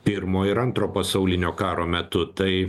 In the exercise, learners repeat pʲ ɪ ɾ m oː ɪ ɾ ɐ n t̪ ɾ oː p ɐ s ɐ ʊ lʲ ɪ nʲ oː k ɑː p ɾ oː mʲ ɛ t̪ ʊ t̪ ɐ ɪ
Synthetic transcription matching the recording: pʲ ɪ ɾ m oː ɪ ɾ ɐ n t̪ ɾ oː p ɐ s ɐ ʊ lʲ ɪ nʲ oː k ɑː ɾ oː mʲ ɛ t̪ ʊ t̪ ɐ ɪ

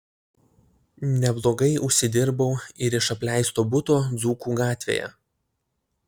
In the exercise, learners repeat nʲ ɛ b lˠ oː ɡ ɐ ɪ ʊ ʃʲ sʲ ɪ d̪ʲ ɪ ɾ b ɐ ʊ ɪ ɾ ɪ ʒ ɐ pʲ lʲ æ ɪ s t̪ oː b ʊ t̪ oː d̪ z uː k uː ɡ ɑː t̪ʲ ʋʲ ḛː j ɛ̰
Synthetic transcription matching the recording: nʲ ɛ b lˠ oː ɡ ɐ ɪ ʊ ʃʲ sʲ ɪ d̪ʲ ɪ ɾ b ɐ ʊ ɪ ɾ ɪ ʃ ɐ pʲ lʲ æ ɪ s t̪ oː b ʊ t̪ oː d̪ z uː k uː ɡ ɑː t̪ʲ ʋʲ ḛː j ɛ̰

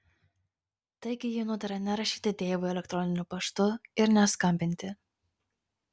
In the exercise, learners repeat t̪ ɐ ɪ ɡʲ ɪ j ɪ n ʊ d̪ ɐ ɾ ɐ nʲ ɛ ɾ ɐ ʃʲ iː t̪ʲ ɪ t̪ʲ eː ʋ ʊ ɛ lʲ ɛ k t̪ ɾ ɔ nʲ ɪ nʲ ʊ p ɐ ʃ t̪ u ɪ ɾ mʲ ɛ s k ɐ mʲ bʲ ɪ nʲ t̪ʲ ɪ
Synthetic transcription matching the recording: t̪ ɐ ɪ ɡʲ ɪ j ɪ n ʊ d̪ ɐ ɾ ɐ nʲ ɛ ɾ ɐ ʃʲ iː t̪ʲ ɪ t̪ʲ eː ʋ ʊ ɛ lʲ ɛ k t̪ ɾ ɔ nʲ ɪ nʲ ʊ p ɐ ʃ t̪ ʊ ɪ ɾ nʲ ɛ s k ɐ mʲ bʲ ɪ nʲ t̪ʲ ɪ

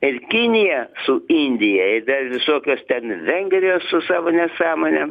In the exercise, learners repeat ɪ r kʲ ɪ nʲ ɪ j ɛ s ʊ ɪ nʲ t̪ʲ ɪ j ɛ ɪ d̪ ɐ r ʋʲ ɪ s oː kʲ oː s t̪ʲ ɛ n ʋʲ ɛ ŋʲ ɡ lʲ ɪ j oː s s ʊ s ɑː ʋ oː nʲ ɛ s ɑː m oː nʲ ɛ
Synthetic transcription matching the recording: ɪ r kʲ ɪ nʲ ɪ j ɛ s ʊ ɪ nʲ d̪ʲ ɪ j ɛ ɪ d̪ ɐ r ʋʲ ɪ s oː kʲ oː s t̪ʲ ɛ n ʋʲ ɛ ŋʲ ɡ ɾʲ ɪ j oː s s ʊ s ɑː ʋ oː nʲ ɛ s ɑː m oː nʲ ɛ

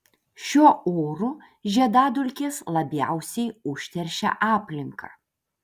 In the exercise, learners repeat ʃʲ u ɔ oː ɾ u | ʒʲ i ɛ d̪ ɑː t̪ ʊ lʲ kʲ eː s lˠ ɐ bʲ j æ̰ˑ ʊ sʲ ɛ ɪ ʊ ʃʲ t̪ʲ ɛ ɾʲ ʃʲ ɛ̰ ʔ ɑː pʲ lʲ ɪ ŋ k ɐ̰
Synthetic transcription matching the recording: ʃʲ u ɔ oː ɾ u | ʒʲ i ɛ d̪ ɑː d̪ ʊ lʲ kʲ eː s lˠ ɐ bʲ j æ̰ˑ ʊ sʲ ɛ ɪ ʊ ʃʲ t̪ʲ ɛ ɾʲ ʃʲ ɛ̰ ʔ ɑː pʲ lʲ ɪ ŋ k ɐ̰

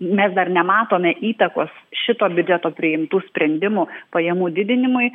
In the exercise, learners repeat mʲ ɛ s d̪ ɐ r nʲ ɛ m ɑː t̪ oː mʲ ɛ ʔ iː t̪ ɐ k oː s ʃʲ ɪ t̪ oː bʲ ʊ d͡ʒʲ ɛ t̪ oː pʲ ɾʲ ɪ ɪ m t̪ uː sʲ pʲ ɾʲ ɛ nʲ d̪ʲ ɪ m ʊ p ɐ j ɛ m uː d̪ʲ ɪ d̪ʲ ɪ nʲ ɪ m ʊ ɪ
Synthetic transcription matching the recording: mʲ ɛ s d̪ ɐ r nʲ ɛ m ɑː t̪ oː mʲ ɛ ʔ iː t̪ ɐ k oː s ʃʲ ɪ t̪ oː bʲ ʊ d͡ʒʲ ɛ t̪ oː pʲ ɾʲ ɪ ɪ m t̪ uː sʲ pʲ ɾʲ ɛ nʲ d̪ʲ ɪ m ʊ p ɐ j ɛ m uː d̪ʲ ɪ d̪ʲ ɪ nʲ ɪ m ʊ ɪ

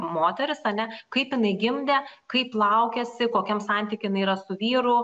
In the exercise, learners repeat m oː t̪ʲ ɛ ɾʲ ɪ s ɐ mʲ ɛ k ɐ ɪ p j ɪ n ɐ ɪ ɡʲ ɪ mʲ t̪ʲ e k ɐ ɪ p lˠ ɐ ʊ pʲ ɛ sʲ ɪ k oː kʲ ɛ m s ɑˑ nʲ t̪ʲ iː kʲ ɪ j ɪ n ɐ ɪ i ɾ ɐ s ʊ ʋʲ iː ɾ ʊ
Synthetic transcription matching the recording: m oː t̪ʲ ɛ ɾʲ ɪ s ɐ nʲ ɛ k ɐ ɪ p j ɪ n ɐ ɪ ɡʲ ɪ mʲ d̪ʲ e k ɐ ɪ p lˠ ɐ ʊ kʲ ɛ sʲ ɪ k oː kʲ ɛ m s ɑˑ nʲ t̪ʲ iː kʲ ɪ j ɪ n ɐ ɪ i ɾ ɐ s ʊ ʋʲ iː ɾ ʊ

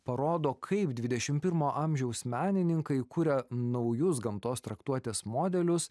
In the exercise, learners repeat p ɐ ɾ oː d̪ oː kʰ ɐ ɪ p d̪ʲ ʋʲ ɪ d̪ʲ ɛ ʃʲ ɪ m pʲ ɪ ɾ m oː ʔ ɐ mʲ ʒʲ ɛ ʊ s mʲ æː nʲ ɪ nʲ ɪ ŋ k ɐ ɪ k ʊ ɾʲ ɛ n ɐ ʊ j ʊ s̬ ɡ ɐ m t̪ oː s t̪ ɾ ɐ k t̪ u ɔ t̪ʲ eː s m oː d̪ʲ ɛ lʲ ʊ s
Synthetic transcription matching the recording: p ɐ ɾ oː d̪ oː kʰ ɐ ɪ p d̪ʲ ʋʲ ɪ d̪ʲ ɛ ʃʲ ɪ m pʲ ɪ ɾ m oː ʔ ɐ mʲ ʒʲ ɛ ʊ s mʲ æː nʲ ɪ nʲ ɪ ŋ k ɐ ɪ k ʊ ɾʲ ɛ n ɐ ʊ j ʊ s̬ ɡ ɐ m t̪ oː s t̪ ɾ ɐ k t̪ u ɔ t̪ʲ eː s m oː d̪ʲ ɛ lʲ ʊ s

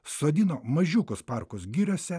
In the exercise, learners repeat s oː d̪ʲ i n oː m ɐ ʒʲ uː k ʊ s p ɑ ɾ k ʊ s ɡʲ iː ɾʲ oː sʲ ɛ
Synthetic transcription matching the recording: s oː d̪ʲ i n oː m ɐ ʒʲ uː k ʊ s p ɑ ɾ k ʊ s ɡʲ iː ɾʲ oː sʲ ɛ

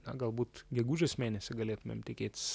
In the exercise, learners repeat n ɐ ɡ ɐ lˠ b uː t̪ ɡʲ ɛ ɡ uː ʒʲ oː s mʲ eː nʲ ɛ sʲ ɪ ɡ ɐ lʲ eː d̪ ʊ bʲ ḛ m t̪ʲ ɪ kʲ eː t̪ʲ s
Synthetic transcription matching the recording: n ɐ ɡ ɐ lˠ b uː t̪ ɡʲ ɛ ɡ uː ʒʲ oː s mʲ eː nʲ ɛ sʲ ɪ ɡ ɐ lʲ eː t̪ ʊ mʲ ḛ m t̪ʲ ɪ kʲ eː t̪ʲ s

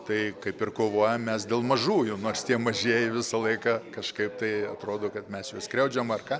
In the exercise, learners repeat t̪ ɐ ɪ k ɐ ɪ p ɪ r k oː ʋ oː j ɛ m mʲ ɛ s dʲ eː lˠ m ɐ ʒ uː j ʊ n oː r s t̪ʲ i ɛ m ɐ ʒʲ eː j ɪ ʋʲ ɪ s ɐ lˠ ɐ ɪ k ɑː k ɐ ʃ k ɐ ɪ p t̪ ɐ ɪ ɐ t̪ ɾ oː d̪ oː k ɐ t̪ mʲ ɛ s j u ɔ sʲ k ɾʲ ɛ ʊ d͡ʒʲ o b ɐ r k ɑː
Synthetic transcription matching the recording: t̪ ɐ ɪ k ɐ ɪ p ɪ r k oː ʋ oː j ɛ m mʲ ɛ s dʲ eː lˠ m ɐ ʒ uː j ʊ n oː r s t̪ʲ i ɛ m ɐ ʒʲ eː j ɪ ʋʲ ɪ s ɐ lˠ ɐ ɪ k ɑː k ɐ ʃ k ɐ ɪ p t̪ ɐ ɪ ɐ t̪ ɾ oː d̪ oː k ɐ t̪ mʲ ɛ s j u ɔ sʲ k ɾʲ ɛ ʊ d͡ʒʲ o m ɐ r k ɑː

